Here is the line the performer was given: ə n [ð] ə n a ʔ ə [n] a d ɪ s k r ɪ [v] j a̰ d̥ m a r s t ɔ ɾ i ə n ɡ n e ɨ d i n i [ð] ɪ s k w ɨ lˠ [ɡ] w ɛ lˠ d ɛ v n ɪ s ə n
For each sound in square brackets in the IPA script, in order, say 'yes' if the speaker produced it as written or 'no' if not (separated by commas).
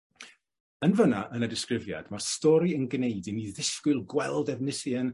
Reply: no, yes, yes, yes, yes